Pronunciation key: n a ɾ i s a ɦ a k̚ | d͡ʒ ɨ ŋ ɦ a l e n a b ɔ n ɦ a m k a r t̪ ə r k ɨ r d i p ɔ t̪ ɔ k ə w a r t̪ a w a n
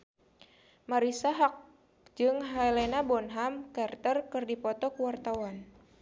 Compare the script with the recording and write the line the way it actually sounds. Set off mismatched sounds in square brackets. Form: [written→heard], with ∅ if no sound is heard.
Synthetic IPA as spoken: [n→m] a ɾ i s a ɦ a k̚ | d͡ʒ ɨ ŋ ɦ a l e n a b ɔ n ɦ a m k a r t̪ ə r k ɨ r d i p ɔ t̪ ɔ k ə w a r t̪ a w a n